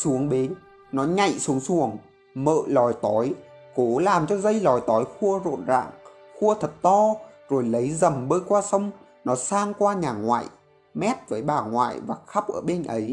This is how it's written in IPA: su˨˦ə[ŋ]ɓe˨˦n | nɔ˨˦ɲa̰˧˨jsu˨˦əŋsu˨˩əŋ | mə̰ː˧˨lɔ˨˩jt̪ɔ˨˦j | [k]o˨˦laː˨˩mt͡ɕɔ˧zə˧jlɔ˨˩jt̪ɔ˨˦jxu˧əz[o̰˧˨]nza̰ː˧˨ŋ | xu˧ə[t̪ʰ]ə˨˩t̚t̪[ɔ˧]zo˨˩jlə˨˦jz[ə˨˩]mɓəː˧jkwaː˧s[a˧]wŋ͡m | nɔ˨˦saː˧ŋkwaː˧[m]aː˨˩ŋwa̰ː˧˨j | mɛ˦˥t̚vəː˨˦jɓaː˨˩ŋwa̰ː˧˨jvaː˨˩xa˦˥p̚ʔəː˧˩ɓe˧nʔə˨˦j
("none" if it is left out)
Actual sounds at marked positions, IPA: ŋ, k, o̰˧˨, t̪ʰ, ɔ˧, ə˨˩, ə˧, ɲ

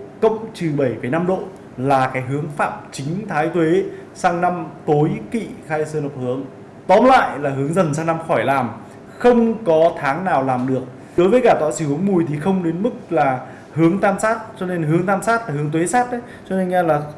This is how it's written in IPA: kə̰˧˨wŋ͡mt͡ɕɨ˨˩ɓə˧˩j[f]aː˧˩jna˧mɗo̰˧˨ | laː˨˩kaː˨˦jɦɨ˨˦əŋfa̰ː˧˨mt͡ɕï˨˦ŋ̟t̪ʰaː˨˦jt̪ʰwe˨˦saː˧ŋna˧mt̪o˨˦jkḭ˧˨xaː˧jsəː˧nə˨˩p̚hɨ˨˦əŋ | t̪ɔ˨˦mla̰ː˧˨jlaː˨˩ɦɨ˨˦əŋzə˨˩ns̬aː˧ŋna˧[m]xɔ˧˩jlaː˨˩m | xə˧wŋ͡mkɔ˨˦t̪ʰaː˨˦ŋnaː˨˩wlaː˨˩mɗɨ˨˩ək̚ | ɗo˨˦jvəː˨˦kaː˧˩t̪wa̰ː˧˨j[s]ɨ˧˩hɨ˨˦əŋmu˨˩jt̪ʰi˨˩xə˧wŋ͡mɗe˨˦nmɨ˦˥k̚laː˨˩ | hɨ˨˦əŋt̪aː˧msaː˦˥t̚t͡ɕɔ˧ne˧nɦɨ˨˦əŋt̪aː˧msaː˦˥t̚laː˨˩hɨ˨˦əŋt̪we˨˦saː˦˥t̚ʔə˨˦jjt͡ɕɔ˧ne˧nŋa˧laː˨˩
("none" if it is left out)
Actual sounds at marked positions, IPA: f, m, s

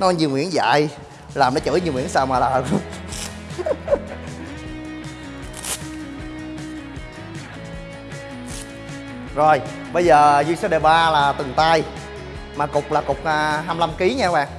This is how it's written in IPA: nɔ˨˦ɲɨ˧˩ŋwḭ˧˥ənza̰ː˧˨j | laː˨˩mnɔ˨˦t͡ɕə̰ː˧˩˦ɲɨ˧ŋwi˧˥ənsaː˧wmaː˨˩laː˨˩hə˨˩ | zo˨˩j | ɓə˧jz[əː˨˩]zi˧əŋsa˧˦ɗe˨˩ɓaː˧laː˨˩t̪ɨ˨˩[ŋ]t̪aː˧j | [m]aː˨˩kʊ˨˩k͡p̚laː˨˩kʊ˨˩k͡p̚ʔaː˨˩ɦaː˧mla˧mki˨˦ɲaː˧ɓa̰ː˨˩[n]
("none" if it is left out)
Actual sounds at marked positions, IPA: əː˨˩, ŋ, m, ŋ

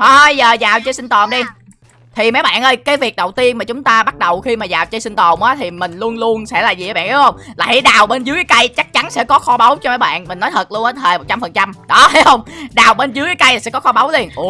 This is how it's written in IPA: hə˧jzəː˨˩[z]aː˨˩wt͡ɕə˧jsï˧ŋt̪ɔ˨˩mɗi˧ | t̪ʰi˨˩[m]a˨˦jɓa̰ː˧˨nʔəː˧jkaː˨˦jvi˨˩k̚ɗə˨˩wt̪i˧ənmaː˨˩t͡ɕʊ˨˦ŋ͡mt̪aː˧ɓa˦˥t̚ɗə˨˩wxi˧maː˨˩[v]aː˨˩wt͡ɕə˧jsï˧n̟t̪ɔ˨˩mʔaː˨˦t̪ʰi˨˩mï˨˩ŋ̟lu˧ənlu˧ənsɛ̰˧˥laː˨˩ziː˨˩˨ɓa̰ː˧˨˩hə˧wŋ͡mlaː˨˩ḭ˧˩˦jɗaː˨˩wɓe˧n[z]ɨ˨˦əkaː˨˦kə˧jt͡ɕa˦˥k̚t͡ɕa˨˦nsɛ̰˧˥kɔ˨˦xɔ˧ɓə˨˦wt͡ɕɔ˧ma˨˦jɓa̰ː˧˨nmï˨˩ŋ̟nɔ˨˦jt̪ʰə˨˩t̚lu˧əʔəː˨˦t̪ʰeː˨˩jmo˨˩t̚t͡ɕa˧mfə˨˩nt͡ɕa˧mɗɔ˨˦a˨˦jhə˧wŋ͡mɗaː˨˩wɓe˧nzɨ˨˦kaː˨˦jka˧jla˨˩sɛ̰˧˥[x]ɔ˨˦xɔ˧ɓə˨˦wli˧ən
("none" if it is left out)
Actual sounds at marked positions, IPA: z, m, z, z, k

